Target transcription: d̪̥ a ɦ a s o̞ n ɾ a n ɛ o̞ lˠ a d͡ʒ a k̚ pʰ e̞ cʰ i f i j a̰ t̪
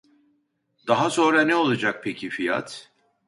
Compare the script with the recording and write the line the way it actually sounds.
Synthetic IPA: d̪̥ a ɦ a s o̞ n ɾ a n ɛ o̞ lˠ a d͡ʒ a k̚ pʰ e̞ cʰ i f i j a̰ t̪

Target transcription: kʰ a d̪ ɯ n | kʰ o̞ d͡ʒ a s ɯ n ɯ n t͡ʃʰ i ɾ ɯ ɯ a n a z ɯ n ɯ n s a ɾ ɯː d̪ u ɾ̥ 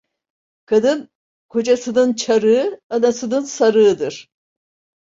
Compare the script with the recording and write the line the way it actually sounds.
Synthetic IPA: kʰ a d̪ ɯ n | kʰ o̞ d͡ʒ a s ɯ n ɯ n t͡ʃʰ a ɾ ɯ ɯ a n a s ɯ n ɯ n s a ɾ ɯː d̪ ɯ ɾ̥

